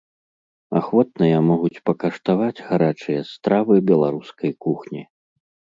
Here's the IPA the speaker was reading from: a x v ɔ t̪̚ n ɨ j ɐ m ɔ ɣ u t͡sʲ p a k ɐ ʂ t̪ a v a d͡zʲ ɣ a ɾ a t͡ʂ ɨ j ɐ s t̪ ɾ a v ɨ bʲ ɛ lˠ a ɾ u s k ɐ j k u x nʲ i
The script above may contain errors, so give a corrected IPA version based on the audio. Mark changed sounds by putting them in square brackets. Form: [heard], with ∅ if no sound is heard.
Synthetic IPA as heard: a x v ɔ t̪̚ n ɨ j ɐ m ɔ ɣ u t͡sʲ p [ɐ] k ɐ ʂ t̪ a v a d͡zʲ ɣ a ɾ a t͡ʂ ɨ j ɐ s t̪ ɾ a v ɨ bʲ ɛ lˠ a ɾ u s k ɐ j k u x nʲ i